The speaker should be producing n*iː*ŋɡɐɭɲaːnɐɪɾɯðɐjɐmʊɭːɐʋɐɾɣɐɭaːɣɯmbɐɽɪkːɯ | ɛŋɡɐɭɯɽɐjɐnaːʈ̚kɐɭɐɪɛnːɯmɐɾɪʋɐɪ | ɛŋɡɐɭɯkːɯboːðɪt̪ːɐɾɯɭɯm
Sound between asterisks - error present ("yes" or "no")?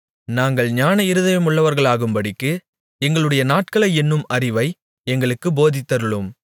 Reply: yes